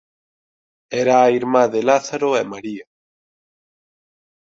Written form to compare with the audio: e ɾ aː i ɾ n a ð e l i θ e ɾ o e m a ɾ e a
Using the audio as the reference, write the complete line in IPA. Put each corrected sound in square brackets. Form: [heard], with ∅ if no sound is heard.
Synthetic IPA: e ɾ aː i ɾ [m] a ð e l [a] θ [a] ɾ o e m a ɾ [i] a